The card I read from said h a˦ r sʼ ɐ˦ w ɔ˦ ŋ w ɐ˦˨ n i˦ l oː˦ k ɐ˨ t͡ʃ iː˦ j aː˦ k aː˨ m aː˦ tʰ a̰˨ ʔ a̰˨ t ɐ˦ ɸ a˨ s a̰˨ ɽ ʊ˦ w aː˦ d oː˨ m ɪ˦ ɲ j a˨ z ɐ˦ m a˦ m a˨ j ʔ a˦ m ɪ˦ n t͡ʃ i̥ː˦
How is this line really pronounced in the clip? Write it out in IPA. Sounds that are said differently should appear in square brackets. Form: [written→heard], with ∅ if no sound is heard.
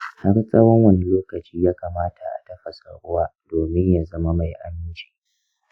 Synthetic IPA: h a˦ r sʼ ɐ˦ w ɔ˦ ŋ w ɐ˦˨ n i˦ l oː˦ k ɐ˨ t͡ʃ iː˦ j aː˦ k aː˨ m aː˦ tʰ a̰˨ ʔ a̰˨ t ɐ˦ ɸ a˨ s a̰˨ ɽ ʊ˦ w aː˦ d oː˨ m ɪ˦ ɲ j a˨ z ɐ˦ m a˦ m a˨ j ʔ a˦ m ɪ˦ n t͡ʃ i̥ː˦